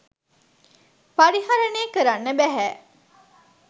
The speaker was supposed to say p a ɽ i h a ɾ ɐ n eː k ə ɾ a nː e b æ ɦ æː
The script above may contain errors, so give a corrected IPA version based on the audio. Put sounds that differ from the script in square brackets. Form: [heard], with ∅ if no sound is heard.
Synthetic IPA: p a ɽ i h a ɾ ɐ n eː k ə ɾ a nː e b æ ɦ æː